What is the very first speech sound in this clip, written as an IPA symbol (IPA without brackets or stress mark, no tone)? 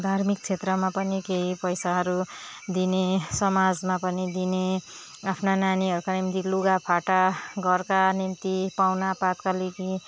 d̪ʱ